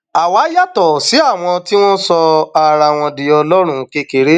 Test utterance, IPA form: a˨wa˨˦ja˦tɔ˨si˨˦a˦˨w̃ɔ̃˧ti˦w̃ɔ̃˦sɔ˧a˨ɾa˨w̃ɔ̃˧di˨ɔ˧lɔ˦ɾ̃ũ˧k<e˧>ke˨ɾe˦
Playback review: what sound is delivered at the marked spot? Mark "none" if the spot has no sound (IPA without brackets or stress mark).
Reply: e˧